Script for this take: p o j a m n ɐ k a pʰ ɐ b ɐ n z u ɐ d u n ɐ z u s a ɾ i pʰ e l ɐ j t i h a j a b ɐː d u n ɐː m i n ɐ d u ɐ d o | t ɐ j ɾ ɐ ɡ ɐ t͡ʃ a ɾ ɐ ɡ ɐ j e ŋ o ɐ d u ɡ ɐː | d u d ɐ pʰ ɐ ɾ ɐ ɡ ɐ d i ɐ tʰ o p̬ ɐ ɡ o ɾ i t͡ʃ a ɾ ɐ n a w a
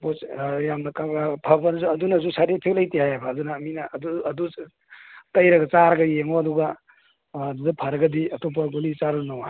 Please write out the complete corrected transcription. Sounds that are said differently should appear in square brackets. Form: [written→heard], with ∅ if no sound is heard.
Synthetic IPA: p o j a m n ɐ k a pʰ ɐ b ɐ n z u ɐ d u n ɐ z u s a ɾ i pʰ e l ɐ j t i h a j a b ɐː d u n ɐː m i n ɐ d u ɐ d [o→u] | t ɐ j ɾ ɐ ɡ ɐ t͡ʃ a ɾ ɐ ɡ ɐ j e ŋ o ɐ d u ɡ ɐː | d u d ɐ pʰ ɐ ɾ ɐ ɡ ɐ d i ɐ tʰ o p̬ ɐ ɡ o [ɾ→l] i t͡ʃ a ɾ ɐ n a w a